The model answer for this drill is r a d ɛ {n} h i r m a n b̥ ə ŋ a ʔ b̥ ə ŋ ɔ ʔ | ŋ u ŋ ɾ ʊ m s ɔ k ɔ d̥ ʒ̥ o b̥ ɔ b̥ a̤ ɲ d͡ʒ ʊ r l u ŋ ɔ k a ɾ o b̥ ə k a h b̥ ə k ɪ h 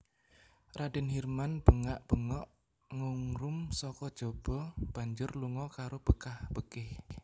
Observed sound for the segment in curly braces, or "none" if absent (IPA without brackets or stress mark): n